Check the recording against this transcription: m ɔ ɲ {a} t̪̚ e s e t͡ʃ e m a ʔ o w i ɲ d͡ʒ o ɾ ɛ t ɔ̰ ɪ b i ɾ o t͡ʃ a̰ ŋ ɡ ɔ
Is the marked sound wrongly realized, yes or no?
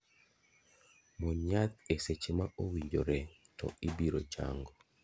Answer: no